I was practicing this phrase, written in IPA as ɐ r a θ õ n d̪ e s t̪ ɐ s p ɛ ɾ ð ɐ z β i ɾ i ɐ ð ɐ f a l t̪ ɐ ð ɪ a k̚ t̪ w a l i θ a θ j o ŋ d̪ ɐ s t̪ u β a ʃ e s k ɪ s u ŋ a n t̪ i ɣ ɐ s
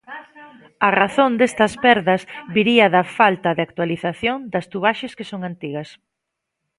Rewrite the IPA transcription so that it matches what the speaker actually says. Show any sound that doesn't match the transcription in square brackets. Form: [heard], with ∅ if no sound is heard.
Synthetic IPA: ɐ r a θ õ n d̪ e s t̪ ɐ s p ɛ ɾ ð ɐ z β i ɾ i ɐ ð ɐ f a l t̪ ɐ ð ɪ a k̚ t̪ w a l i θ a θ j o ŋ d̪ ɐ s t̪ u β a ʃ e s k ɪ s [o] ŋ a n t̪ i ɣ ɐ s